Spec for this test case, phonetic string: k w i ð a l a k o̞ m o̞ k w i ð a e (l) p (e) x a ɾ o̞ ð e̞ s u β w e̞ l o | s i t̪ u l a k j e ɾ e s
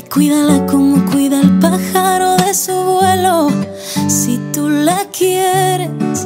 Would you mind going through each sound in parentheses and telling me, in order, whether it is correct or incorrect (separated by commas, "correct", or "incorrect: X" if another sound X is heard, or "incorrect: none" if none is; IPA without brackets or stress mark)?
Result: correct, incorrect: a